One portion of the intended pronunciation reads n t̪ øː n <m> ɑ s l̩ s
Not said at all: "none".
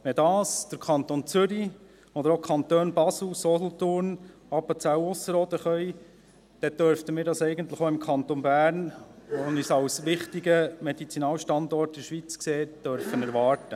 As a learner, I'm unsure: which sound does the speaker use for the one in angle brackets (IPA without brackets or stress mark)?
b